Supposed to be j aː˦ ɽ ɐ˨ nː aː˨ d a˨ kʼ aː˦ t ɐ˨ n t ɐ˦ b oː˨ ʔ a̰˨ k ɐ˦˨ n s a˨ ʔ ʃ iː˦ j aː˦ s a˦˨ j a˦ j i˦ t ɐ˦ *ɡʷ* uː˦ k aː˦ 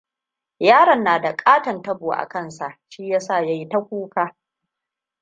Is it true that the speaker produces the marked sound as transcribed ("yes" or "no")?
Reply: no